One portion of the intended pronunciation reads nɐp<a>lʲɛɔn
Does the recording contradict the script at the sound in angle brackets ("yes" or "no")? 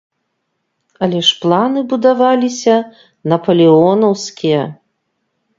yes